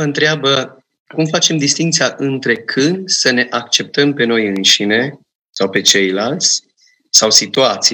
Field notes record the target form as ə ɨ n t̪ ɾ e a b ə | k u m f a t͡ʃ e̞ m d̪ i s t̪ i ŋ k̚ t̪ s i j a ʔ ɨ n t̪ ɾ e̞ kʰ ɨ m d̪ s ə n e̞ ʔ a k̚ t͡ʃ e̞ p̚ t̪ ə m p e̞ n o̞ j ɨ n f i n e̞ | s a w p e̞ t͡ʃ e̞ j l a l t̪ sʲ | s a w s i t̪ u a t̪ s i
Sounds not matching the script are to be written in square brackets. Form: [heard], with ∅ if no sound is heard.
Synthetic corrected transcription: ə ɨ n t̪ ɾ e a b ə | k u m f a t͡ʃ e̞ m d̪ i s t̪ i ŋ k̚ t̪ s i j a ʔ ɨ n t̪ ɾ e̞ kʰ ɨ [n] d̪ s ə n e̞ ʔ a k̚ t͡ʃ e̞ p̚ t̪ ə m p e̞ n o̞ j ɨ n [ʃ] i n e̞ | s a w p e̞ t͡ʃ e̞ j l a l t̪ sʲ | s a w s i t̪ u a t̪ s i